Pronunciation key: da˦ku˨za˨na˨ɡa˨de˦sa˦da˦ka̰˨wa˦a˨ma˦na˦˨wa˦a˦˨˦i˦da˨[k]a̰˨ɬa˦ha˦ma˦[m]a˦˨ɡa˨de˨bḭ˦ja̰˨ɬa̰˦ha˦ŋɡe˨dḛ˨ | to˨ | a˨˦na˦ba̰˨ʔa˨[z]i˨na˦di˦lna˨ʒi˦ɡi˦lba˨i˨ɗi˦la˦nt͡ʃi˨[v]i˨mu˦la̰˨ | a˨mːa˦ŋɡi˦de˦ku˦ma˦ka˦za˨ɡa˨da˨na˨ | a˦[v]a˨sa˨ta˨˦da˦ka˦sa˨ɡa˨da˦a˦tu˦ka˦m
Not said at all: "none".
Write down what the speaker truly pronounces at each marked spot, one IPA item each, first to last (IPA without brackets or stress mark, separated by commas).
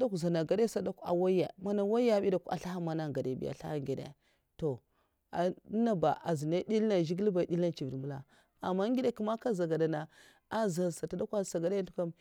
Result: k, n, z, v, z